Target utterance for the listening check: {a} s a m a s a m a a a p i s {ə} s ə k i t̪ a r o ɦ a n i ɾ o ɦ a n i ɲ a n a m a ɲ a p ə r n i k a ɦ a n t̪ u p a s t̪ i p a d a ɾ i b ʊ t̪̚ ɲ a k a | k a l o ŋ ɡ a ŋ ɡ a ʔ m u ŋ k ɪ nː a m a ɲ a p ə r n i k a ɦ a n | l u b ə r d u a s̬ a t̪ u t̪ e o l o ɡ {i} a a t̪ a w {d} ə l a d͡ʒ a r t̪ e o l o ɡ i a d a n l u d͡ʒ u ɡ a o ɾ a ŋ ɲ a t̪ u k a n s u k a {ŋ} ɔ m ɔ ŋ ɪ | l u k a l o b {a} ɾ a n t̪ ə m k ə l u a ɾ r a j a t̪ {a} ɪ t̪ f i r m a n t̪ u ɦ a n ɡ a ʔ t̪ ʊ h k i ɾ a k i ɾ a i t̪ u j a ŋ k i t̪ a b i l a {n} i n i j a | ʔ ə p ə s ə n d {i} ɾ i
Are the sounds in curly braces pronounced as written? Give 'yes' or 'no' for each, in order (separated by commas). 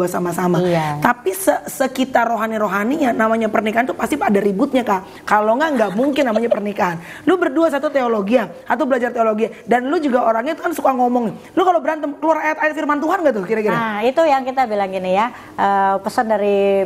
yes, yes, yes, no, yes, no, yes, no, no